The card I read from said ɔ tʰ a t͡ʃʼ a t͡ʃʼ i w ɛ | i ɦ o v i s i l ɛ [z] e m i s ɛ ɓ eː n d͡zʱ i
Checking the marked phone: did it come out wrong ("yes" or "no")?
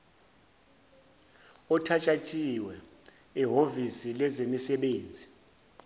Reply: no